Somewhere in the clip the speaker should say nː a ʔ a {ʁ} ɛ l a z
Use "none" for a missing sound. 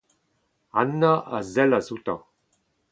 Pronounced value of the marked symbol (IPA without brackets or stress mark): z